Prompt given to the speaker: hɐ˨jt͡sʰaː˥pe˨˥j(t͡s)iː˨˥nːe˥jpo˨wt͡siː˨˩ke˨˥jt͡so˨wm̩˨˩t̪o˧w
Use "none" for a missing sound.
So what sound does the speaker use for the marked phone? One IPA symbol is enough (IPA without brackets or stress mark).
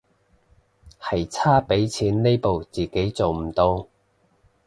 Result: t͡sʰ